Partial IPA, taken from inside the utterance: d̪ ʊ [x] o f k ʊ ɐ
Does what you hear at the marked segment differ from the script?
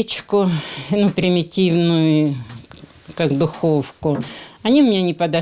no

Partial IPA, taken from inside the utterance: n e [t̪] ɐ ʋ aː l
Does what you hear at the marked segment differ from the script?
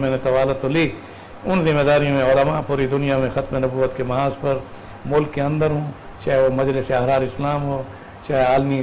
no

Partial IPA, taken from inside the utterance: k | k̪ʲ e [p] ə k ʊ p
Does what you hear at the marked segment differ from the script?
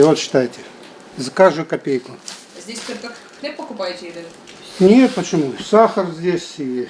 no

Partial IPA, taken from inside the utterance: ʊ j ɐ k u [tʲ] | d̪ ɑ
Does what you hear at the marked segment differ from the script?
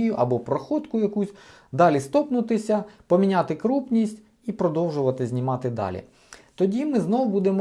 yes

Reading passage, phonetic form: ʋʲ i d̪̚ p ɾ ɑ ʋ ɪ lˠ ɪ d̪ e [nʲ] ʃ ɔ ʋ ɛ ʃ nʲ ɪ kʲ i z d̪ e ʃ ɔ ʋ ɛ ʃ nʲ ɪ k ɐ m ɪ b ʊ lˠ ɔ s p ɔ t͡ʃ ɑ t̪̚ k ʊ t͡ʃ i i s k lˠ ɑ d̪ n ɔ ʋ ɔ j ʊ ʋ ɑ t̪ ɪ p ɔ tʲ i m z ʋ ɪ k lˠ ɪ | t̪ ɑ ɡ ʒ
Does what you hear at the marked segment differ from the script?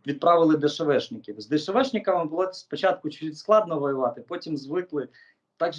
yes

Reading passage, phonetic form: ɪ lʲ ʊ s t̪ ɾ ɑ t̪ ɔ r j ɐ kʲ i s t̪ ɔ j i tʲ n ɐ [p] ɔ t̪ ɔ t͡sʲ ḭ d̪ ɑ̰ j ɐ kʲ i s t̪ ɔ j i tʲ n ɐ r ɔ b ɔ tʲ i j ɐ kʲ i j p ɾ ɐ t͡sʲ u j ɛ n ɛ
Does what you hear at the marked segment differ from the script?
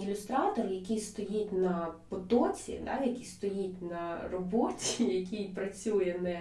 no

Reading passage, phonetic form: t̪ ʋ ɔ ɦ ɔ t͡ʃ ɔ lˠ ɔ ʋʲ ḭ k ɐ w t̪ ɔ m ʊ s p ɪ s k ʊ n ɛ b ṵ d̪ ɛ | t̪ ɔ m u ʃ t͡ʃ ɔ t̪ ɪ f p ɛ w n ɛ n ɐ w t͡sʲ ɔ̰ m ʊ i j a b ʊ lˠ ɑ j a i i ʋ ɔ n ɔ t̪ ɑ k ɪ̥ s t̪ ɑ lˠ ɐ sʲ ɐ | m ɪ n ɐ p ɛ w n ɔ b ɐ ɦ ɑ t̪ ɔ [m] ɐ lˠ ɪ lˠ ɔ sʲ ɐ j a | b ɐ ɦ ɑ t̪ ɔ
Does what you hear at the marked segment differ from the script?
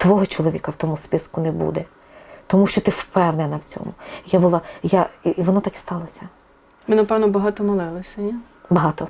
no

